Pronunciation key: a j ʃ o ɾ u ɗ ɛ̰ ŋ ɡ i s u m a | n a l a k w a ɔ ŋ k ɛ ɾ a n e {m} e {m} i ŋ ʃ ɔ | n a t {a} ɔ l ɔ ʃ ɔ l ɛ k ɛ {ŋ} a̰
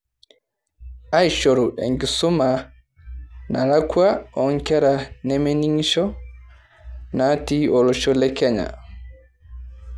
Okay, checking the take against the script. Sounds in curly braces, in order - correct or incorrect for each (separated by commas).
correct, incorrect, incorrect, incorrect